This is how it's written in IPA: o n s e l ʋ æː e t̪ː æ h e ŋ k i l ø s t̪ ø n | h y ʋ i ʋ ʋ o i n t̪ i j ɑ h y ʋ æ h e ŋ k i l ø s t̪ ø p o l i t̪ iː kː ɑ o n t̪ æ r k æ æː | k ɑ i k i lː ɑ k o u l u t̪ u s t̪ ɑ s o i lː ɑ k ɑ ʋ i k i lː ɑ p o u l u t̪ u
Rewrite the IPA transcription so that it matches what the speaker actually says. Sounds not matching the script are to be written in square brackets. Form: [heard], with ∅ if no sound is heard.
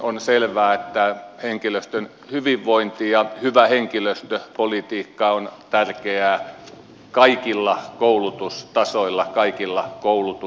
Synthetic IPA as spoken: o n s e l ʋ æː e t̪ː æ h e ŋ k i l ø s t̪ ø n | h y ʋ i ʋ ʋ o i n t̪ i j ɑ h y ʋ æ h e ŋ k i l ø s t̪ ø p o l i t̪ iː kː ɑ o n t̪ æ r k [e] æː | k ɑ i k i lː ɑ k o u l u t̪ u s t̪ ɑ s o i lː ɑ k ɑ [∅] i k i lː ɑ [k] o u l u t̪ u